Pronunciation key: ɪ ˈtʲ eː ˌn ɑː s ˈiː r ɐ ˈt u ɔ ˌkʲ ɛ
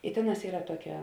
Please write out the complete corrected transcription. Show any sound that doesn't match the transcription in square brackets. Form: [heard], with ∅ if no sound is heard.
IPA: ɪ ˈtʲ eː ˌn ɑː s ˈiː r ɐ ˈt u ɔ ˌkʲ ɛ